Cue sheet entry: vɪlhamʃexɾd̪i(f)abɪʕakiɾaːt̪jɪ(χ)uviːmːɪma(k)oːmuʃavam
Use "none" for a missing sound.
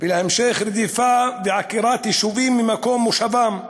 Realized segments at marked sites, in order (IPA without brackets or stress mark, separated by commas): f, ʃ, k